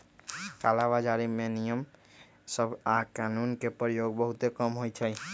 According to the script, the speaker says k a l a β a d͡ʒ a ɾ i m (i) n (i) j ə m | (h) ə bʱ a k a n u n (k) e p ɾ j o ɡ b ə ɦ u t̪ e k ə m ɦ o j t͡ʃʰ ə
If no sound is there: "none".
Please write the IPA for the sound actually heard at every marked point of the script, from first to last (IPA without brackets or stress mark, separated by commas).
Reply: e, i, s, k